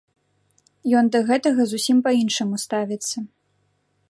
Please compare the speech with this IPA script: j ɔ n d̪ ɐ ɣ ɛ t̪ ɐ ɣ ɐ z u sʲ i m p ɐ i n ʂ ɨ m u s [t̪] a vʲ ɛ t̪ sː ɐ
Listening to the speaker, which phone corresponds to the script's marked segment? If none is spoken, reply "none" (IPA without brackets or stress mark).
t̪